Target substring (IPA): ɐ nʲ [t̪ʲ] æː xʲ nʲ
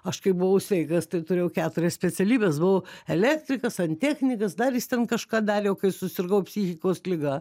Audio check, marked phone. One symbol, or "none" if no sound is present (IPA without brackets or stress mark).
t̪ʲ